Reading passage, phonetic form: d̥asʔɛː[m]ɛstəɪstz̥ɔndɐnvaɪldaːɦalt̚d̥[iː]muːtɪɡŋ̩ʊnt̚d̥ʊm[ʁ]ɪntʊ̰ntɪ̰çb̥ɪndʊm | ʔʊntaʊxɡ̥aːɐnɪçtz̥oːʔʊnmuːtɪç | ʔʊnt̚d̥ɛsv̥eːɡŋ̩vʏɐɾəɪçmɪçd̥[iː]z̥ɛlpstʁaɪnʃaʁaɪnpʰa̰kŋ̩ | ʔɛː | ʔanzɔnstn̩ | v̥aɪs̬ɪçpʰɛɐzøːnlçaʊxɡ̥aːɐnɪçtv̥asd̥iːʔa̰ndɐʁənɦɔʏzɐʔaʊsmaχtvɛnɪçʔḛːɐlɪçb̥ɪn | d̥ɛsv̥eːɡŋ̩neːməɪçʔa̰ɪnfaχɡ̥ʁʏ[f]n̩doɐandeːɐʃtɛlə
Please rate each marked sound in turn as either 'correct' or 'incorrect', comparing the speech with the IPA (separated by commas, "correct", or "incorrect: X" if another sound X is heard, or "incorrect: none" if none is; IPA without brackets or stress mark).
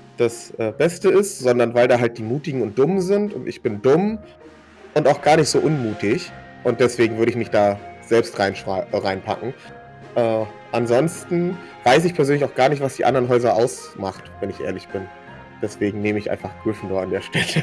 incorrect: b, correct, incorrect: z, incorrect: aː, correct